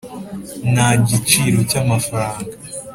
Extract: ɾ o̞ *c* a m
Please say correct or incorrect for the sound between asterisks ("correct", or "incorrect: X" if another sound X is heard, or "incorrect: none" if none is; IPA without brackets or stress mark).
correct